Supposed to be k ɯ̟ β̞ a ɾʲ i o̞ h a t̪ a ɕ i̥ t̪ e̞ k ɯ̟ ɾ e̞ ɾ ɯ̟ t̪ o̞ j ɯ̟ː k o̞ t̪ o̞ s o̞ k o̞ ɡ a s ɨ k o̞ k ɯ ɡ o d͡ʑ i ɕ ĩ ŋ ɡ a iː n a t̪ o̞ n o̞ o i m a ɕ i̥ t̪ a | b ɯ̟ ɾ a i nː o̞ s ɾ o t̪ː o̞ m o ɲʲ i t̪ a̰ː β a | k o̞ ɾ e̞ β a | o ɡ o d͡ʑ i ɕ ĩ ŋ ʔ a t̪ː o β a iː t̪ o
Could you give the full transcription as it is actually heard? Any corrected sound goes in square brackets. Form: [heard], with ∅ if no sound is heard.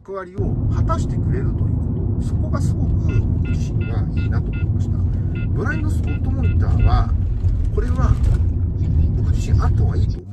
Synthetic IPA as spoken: k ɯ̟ β̞ a ɾʲ i o̞ h a t̪ a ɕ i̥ t̪ e̞ k ɯ̟ ɾ e̞ ɾ ɯ̟ t̪ o̞ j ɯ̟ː k o̞ t̪ o̞ s o̞ k o̞ ɡ a s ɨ [ɡ] o̞ k ɯ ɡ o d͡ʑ i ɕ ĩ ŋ ɡ a iː n a t̪ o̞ [m] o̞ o i m a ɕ i̥ t̪ a | b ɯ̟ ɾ a i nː o̞ s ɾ o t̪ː o̞ m o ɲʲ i t̪ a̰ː β a | k o̞ ɾ e̞ β a | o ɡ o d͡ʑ i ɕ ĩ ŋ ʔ a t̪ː o β a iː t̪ o